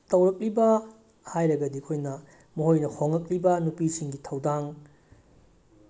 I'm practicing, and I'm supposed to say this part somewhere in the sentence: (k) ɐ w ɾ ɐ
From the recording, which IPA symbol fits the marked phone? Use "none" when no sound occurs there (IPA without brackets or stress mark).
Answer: t